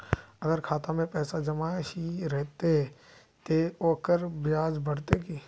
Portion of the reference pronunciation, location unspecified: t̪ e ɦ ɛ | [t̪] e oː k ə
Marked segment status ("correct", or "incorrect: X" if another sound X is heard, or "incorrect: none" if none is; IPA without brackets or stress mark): correct